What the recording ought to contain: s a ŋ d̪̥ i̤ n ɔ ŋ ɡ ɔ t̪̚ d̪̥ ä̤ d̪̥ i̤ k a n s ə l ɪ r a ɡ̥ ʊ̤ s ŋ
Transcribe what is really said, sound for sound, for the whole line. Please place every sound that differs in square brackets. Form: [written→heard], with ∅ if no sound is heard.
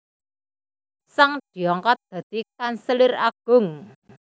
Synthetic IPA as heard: s a ŋ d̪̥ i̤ [n→∅] ɔ ŋ [ɡ→k] ɔ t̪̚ d̪̥ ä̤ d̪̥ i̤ k a n s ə l ɪ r a ɡ̥ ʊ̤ [s→∅] ŋ